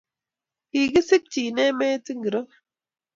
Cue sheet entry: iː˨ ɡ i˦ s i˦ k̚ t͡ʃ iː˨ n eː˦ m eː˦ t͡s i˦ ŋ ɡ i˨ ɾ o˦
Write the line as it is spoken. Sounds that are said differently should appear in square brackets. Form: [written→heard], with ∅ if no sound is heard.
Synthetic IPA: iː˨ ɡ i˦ s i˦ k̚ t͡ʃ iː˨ n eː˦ m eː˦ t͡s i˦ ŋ ɡ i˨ ɾ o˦